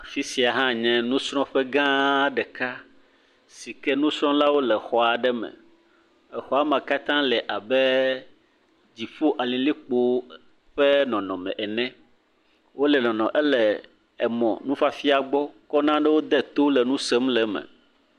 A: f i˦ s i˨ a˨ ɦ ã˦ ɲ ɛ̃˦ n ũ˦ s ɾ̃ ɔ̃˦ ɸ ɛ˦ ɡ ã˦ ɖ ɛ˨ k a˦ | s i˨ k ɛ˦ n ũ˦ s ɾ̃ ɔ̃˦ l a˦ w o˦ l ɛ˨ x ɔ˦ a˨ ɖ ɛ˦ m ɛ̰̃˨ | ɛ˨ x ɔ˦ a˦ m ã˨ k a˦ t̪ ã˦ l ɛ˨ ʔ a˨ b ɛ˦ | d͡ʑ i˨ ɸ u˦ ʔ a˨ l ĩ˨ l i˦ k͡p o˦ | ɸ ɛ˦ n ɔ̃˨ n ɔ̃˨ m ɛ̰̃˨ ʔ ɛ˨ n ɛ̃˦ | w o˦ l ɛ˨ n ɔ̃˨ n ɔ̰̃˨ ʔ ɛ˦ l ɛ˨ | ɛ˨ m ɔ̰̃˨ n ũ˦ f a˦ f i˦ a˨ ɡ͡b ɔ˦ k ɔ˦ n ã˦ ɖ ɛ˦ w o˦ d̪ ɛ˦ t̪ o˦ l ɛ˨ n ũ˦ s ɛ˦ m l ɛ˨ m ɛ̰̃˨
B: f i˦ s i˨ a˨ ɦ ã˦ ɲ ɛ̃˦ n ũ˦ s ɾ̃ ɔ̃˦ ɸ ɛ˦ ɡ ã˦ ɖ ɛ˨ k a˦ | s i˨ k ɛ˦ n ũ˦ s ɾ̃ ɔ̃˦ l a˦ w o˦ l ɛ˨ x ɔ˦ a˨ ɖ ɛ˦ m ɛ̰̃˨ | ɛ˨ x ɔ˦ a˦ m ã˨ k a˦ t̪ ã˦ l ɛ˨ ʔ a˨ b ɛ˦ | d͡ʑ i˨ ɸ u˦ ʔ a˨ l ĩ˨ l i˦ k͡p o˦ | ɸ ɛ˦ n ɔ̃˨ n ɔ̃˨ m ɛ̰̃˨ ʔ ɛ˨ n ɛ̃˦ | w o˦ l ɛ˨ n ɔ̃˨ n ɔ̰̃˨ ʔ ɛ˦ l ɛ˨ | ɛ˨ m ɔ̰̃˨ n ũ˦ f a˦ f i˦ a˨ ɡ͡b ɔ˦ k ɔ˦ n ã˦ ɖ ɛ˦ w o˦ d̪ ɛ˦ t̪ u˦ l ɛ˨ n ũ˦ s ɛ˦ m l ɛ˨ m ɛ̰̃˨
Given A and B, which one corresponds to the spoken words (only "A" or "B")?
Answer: A